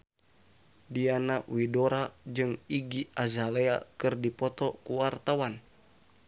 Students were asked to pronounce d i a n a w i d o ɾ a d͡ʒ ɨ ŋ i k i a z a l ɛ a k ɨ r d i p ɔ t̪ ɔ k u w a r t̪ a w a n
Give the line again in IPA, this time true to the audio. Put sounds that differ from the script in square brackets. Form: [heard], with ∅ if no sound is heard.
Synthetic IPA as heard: d i a n a w i d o ɾ a d͡ʒ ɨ ŋ i [ɡ] i a z a l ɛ a k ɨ r d i p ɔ t̪ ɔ k u w a r t̪ a w a n